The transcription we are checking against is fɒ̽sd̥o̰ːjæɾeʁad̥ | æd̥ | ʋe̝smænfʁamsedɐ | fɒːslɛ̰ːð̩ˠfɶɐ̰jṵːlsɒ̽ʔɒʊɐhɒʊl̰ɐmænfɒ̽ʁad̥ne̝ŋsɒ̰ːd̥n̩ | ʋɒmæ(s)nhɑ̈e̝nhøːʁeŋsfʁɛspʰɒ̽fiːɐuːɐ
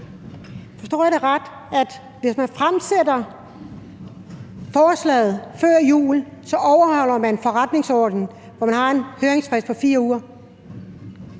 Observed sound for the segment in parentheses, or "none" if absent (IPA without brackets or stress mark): none